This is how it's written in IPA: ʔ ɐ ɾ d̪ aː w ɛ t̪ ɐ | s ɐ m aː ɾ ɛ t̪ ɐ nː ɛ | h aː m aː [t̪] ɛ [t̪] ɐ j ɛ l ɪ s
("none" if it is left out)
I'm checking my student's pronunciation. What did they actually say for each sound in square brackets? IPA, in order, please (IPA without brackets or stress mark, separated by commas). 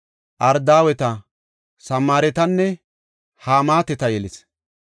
t̪, t̪